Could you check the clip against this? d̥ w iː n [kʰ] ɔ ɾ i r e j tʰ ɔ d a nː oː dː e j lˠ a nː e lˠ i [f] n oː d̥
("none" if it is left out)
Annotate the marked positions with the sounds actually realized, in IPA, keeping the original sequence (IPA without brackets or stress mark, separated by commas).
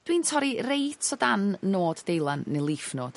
tʰ, f